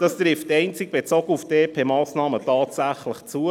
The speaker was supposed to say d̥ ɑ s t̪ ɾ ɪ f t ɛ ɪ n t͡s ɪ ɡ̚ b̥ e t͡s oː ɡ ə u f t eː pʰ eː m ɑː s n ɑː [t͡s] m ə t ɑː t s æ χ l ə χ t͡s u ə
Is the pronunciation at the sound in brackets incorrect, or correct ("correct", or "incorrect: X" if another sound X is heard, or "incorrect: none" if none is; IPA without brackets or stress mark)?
incorrect: none